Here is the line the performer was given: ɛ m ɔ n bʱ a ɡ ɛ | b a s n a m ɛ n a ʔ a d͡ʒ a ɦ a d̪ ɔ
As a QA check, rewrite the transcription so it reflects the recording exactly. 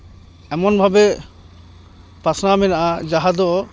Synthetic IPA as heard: ɛ m ɔ n bʱ a b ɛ | p a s n a m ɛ n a ʔ a d͡ʒ a ɦ a d̪ ɔ